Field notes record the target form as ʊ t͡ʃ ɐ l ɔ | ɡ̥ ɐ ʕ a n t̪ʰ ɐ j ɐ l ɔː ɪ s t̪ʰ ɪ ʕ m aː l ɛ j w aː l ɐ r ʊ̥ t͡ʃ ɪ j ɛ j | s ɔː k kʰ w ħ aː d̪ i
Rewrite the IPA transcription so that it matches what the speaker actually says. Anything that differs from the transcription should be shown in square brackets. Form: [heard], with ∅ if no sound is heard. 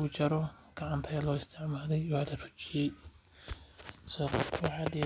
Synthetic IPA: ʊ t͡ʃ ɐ [ɾ] ɔ | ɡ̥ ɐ ʕ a n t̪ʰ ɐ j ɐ l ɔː ɪ s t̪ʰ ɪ ʕ m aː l ɛ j w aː l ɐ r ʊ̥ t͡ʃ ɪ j ɛ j | s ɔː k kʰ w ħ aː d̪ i